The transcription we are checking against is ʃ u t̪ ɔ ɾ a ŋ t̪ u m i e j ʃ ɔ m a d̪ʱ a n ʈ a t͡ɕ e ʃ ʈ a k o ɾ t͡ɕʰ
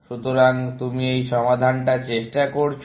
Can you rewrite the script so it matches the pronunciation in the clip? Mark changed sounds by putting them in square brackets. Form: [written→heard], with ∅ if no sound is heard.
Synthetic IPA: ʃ u t̪ [ɔ→o] ɾ a ŋ t̪ u m i e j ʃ ɔ m a d̪ʱ a n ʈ a t͡ɕ e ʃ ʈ a k o ɾ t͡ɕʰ